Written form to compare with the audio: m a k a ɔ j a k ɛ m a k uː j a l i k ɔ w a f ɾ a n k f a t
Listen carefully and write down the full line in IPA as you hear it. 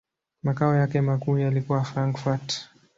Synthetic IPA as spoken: m a k a ɔ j a k ɛ m a k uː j a l i k u w a f ɾ a ŋ k f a t